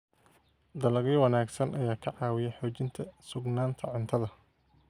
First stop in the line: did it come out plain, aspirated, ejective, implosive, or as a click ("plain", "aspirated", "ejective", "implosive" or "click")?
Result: plain